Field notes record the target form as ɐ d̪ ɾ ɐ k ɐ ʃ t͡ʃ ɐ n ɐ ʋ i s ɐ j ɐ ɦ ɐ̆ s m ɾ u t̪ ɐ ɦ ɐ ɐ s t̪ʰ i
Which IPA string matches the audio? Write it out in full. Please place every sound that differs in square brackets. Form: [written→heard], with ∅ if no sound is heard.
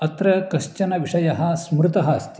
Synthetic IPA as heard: ɐ [d̪→t̪] ɾ ɐ k ɐ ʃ t͡ʃ ɐ n ɐ ʋ i [s→ʂ] ɐ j ɐ ɦ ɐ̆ s m ɾ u t̪ ɐ ɦ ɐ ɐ s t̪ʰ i